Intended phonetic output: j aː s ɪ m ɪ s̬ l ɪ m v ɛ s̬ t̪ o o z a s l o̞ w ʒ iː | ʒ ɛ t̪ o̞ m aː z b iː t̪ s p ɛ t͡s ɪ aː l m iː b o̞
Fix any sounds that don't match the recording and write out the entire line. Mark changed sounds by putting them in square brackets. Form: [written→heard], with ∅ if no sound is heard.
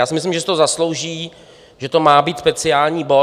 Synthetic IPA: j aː s ɪ m ɪ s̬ l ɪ m [v→ʒ] ɛ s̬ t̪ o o z a s l o̞ w ʒ iː | ʒ ɛ t̪ o̞ m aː [z→∅] b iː t̪ s p ɛ t͡s ɪ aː l [m→ɲ] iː b o̞